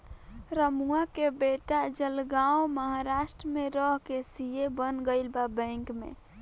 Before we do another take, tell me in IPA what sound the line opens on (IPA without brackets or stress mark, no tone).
ɾ